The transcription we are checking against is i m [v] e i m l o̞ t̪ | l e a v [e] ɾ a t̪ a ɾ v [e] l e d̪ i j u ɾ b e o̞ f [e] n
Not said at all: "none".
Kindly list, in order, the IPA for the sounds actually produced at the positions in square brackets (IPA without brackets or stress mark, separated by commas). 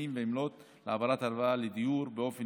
v, a, a, e